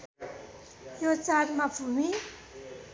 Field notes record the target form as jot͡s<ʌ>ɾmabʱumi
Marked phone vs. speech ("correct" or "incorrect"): incorrect